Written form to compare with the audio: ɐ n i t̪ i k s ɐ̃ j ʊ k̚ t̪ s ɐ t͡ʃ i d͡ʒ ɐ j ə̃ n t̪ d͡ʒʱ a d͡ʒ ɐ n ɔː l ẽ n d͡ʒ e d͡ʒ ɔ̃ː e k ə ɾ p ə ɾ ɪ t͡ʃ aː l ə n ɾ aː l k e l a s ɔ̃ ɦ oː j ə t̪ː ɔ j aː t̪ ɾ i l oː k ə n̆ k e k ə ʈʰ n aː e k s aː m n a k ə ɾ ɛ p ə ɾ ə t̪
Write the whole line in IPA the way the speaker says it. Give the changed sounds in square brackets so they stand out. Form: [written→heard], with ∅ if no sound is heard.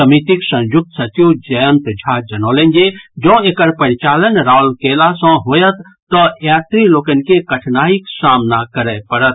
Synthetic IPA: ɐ [n→m] i t̪ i k s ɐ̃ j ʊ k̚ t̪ s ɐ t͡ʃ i d͡ʒ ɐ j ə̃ n t̪ d͡ʒʱ a d͡ʒ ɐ n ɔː l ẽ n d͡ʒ e d͡ʒ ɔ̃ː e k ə ɾ p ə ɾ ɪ t͡ʃ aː l ə n ɾ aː l k e l a s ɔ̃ ɦ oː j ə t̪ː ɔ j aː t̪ ɾ i l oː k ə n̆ k e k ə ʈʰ n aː [e→i] k s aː m n a k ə ɾ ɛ p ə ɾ ə t̪